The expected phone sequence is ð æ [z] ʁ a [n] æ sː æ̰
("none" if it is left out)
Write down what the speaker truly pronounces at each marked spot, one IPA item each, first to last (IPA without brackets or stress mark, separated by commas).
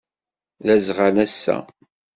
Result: z, n